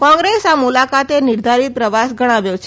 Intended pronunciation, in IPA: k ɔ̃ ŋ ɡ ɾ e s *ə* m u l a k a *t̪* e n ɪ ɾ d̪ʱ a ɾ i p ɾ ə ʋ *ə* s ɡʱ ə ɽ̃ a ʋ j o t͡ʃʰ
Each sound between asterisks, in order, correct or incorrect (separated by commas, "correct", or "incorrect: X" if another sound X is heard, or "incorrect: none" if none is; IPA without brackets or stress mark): incorrect: a, correct, incorrect: a